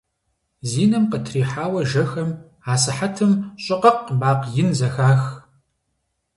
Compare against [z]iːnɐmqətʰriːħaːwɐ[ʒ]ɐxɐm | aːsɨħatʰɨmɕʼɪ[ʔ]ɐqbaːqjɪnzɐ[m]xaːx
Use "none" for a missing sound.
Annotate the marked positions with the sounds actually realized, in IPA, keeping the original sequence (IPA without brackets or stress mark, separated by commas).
z, ʒ, q, none